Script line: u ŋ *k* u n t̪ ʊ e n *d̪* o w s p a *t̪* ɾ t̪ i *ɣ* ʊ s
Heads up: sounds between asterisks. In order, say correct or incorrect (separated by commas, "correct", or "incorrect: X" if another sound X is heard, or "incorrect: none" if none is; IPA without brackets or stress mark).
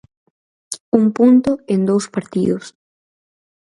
incorrect: p, correct, incorrect: none, incorrect: ð